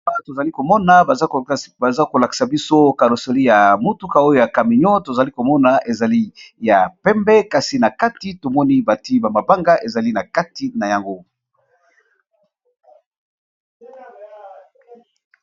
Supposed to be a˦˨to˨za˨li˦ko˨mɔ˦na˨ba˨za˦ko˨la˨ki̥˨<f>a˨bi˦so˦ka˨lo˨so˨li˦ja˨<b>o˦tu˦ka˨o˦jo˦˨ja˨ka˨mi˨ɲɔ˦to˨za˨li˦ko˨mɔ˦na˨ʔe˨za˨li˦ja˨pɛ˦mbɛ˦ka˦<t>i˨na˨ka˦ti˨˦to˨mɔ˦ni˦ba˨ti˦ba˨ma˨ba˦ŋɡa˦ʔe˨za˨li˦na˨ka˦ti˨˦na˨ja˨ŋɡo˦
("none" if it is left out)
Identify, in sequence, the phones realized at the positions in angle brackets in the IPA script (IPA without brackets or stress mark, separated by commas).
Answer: s, m, s